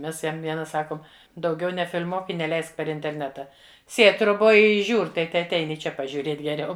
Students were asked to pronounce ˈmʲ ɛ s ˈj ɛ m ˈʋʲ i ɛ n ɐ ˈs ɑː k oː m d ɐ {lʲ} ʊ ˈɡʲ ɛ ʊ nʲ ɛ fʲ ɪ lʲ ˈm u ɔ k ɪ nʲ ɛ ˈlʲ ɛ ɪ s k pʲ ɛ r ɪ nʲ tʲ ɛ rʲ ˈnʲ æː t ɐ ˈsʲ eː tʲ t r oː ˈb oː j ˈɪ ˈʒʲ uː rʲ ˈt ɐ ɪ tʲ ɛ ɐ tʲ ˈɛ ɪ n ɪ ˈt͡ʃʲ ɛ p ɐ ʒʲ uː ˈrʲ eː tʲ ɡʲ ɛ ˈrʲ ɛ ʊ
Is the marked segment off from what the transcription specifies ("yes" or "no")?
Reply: yes